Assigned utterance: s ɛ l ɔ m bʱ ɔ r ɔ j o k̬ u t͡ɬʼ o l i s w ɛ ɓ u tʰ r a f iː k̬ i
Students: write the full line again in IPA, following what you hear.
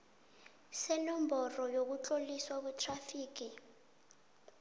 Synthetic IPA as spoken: s ɛ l ɔ m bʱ ɔ r ɔ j o k̬ u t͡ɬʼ o l i s w a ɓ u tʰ r a f iː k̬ i